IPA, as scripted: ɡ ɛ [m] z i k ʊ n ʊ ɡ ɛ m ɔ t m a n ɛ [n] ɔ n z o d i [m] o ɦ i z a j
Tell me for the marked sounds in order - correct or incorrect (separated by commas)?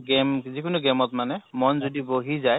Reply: correct, incorrect, incorrect